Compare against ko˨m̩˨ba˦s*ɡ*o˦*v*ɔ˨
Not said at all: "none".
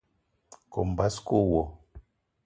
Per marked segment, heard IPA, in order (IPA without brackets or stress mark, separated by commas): k, w